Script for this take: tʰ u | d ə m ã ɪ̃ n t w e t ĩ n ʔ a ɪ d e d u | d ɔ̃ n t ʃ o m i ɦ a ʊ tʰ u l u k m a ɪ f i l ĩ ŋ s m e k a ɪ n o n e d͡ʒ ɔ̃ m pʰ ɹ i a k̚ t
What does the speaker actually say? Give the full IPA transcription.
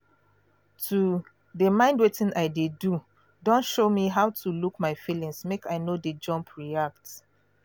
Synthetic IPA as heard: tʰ u | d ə m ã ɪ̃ n d w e t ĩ n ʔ a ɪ d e d u | d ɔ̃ n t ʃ o m i ɦ a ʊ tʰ u l u k m a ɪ f i l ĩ ŋ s m e k a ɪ n o d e d͡ʒ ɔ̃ m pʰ ɹ i a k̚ t

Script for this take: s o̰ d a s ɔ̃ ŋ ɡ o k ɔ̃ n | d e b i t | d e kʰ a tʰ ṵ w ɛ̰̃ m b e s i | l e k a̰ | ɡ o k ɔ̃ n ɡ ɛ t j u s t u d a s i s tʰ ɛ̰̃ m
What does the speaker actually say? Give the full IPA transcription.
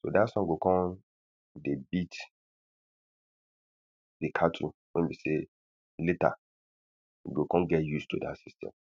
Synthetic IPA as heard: s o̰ d a s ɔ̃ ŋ ɡ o k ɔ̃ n | d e b i t | d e kʰ a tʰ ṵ w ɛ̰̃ n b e s e | l e t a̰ | ɡ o k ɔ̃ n ɡ ɛ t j u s t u d a s i s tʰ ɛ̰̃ m

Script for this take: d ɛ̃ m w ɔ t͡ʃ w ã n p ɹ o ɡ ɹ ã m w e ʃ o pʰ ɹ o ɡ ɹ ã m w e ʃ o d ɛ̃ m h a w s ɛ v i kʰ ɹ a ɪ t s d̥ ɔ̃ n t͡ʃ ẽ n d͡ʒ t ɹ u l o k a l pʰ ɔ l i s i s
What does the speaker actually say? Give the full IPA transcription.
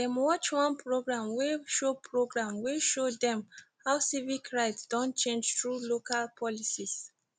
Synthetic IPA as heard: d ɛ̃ m w ɔ t͡ʃ w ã n p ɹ o ɡ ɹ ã m w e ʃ o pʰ ɹ o ɡ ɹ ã m w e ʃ o d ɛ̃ m h a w s i v i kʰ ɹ a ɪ t s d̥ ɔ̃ n t͡ʃ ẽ n d͡ʒ t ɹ u l o k a l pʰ ɔ l i s i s

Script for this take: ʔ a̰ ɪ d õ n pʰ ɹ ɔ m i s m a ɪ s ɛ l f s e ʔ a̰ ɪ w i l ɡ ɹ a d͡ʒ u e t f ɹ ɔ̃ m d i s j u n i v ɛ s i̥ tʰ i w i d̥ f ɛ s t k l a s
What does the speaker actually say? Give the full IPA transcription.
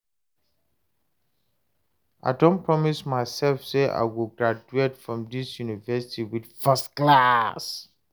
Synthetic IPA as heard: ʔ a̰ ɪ d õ n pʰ ɹ ɔ m i s m a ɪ s ɛ l f s e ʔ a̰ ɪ w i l ɡ ɹ a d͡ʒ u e t f ɹ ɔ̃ m d i s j u n i v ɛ s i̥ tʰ i w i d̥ f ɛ s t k l a s

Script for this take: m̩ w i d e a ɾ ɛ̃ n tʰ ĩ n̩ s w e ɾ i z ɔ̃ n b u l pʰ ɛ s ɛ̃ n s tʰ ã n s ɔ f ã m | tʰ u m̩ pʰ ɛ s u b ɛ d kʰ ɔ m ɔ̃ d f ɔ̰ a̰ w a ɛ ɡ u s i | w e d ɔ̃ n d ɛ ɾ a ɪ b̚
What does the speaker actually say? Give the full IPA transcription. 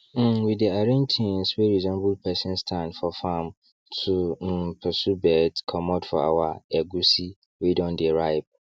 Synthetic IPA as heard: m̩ w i d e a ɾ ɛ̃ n tʰ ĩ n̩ s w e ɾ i z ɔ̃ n b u l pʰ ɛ s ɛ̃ n s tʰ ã n f ɔ f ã m | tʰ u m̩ pʰ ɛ s u b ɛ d kʰ ɔ m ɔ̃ d f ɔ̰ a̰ w a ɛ ɡ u s i | w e d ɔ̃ n d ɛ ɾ a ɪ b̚

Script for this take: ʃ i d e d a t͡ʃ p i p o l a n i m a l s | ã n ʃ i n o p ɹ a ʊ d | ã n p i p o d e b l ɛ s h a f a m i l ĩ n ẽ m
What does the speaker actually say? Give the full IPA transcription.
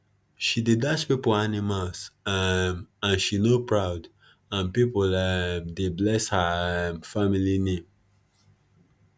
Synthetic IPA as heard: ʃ i d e d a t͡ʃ p i p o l a n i m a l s | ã n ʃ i n o p ɹ a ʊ d | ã n p i p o d e b l ɛ s h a f a m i l i n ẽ m

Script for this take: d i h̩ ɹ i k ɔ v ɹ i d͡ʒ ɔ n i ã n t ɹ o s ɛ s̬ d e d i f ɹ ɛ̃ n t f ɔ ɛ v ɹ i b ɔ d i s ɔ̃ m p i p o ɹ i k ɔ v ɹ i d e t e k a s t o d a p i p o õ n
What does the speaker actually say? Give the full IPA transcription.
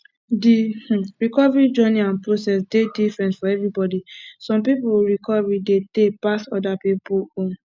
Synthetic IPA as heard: d i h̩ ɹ i k ɔ v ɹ i d͡ʒ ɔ n i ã n p ɹ o s ɛ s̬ d e d i f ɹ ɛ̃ n t f ɔ ɛ v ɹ i b ɔ d i s ɔ̃ m p i p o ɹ i k ɔ v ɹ i d e t e p a s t ɔ d a p i p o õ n

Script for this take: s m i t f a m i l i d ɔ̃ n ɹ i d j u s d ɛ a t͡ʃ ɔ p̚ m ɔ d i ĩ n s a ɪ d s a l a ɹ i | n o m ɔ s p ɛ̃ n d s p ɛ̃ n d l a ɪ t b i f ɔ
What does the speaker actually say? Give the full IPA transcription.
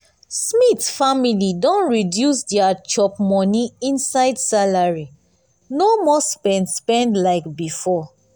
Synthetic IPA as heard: s m i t f a m i l i d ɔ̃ n ɹ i d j u s d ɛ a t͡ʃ ɔ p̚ m ɔ n i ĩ n s a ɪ d s a l a ɹ i | n o m ɔ s p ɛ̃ n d s p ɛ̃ n d l a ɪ k b i f ɔ

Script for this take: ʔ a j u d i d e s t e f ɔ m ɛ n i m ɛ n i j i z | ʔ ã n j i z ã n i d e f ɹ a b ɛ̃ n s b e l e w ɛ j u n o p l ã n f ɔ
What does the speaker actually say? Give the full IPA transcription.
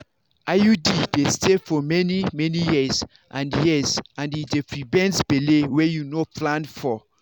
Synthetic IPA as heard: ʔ a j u d i d e s t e f ɔ m ɛ n i m ɛ n i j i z | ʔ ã n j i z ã n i d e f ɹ i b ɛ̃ n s b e l e w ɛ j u n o p l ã n f ɔ

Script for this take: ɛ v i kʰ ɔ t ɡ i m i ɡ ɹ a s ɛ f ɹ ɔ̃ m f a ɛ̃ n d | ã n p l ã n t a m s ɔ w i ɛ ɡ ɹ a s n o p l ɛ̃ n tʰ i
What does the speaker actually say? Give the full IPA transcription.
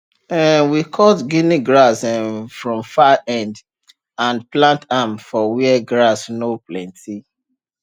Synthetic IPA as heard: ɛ w i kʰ ɔ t ɡ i n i ɡ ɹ a s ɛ f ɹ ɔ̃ m f a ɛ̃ n d | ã n p l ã n t a m f ɔ w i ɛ ɡ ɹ a s n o p l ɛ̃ n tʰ i

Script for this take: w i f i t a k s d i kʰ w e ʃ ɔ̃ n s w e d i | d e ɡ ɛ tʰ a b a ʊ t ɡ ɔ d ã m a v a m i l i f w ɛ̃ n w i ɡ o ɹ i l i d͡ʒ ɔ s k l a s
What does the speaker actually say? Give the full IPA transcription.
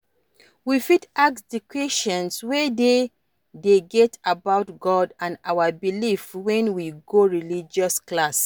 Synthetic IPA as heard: w i f i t a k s d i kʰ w e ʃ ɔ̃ n s w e d e | d e ɡ ɛ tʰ a b a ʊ t ɡ ɔ d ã n a w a b i l i f w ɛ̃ n w i ɡ o ɹ i l i d͡ʒ ɔ s k l a s

